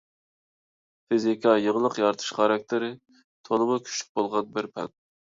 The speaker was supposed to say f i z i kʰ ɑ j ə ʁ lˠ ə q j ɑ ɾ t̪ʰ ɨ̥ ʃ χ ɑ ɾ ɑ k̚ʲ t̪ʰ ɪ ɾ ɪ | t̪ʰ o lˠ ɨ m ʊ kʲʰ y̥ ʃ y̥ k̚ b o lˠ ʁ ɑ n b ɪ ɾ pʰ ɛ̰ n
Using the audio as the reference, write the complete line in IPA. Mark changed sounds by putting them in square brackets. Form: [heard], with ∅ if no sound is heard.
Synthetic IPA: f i z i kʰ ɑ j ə ʁ lˠ ə q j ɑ ɾ t̪ʰ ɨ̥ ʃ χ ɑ ɾ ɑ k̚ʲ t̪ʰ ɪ ɾ ɪ | t̪ʰ o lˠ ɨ m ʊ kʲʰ y̥ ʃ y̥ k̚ b o lˠ ʁ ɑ n b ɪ ɾ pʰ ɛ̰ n